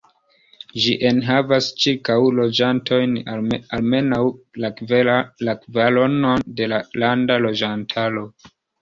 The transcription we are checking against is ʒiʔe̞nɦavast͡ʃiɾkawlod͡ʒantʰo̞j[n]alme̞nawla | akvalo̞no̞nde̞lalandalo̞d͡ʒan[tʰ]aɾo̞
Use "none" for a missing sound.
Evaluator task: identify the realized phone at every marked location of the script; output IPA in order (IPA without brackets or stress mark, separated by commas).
n, tʰ